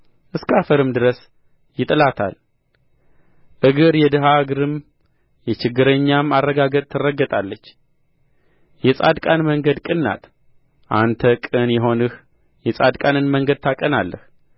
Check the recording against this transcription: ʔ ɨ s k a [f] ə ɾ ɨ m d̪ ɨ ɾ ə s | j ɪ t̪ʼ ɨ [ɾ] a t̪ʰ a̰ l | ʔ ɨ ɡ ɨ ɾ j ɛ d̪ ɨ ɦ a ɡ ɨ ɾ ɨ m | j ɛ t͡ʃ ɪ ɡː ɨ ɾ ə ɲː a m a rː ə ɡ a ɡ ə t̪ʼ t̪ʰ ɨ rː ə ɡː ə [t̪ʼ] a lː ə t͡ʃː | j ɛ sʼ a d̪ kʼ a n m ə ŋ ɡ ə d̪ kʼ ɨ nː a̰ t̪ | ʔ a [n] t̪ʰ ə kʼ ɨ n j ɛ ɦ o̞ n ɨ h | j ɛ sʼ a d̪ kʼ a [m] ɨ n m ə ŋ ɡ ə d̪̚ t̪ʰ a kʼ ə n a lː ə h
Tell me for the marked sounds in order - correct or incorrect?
correct, incorrect: l, correct, correct, incorrect: n

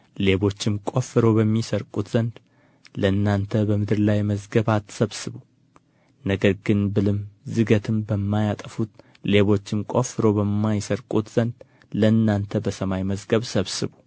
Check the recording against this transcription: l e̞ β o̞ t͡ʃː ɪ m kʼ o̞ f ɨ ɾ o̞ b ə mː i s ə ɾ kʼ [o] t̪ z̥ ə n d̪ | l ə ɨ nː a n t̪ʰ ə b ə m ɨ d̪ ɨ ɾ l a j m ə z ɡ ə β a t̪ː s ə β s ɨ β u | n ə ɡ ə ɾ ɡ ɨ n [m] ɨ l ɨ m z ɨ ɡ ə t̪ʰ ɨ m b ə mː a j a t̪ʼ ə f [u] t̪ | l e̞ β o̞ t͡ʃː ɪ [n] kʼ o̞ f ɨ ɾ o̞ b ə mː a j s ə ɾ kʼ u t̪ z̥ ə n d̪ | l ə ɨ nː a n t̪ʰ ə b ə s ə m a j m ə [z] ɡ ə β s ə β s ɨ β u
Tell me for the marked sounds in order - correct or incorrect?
incorrect: u, incorrect: b, correct, incorrect: m, correct

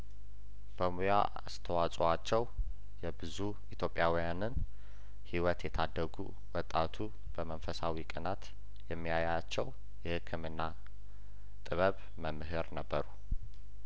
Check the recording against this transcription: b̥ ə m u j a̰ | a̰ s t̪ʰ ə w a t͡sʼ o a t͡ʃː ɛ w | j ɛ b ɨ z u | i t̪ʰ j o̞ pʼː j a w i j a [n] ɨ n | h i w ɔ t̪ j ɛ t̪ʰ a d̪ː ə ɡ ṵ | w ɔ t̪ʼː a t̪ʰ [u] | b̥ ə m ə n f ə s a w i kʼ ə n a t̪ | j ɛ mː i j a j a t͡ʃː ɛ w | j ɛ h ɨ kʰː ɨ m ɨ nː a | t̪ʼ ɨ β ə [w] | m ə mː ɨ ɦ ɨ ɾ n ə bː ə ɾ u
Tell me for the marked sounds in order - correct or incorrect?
correct, correct, incorrect: β

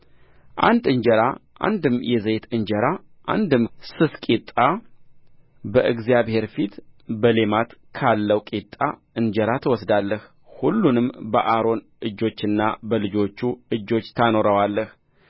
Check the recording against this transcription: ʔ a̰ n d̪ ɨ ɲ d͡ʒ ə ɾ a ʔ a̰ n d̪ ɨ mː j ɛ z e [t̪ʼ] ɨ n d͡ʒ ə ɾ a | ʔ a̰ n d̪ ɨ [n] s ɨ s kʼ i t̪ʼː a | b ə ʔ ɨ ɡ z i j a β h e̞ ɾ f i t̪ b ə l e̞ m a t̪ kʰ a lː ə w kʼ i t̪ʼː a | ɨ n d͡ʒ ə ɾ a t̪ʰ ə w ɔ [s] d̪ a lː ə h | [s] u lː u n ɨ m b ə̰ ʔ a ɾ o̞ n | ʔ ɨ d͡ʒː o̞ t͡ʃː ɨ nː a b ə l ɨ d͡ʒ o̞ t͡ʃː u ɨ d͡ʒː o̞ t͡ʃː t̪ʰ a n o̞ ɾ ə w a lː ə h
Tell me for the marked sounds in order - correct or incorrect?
incorrect: t̪, incorrect: m, correct, incorrect: h

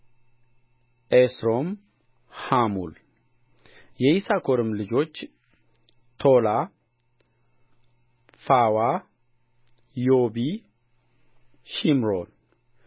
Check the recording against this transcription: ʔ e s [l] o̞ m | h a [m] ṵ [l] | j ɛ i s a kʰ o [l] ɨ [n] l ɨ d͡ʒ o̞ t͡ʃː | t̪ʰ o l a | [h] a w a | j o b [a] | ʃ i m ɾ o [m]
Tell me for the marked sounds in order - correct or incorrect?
incorrect: ɾ, correct, correct, incorrect: ɾ, incorrect: m, incorrect: f, incorrect: i, incorrect: n

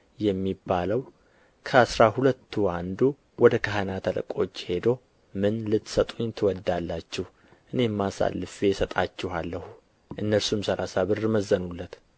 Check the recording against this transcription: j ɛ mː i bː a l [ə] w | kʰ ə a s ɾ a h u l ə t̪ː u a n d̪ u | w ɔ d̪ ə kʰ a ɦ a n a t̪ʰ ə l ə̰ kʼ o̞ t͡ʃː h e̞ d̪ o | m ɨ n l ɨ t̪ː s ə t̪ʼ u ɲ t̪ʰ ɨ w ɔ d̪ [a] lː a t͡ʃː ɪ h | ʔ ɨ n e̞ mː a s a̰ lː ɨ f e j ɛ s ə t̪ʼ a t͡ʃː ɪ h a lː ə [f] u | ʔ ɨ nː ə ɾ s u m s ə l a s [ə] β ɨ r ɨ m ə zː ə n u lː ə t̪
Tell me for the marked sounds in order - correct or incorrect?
correct, correct, incorrect: h, incorrect: a

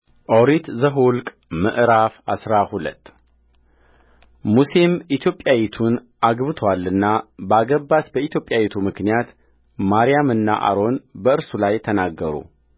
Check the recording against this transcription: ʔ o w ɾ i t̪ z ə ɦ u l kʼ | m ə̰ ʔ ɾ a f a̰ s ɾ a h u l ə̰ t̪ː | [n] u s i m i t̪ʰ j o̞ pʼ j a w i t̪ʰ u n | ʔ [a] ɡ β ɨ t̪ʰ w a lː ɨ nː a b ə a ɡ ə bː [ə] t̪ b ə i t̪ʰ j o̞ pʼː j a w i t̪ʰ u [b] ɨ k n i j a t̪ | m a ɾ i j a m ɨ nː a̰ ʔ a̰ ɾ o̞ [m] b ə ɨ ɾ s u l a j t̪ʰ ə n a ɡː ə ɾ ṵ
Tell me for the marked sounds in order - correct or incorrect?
incorrect: m, correct, incorrect: a, incorrect: m, incorrect: n

